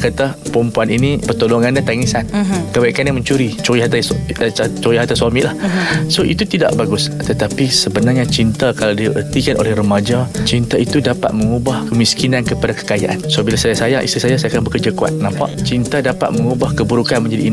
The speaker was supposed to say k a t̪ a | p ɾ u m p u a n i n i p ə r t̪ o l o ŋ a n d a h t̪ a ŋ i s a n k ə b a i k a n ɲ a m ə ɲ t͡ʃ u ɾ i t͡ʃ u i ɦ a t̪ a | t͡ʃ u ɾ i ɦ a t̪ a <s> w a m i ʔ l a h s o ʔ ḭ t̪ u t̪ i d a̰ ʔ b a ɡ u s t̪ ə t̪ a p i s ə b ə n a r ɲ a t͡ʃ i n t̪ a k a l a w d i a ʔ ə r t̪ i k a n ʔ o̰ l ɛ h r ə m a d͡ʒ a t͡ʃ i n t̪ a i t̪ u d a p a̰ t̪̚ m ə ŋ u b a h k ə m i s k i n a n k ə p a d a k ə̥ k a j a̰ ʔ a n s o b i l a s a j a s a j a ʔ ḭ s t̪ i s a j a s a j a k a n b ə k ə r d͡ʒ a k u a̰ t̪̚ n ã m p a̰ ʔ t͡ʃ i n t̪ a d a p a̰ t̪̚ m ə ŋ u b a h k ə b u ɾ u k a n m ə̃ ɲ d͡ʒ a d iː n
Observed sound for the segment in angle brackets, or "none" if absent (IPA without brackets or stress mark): s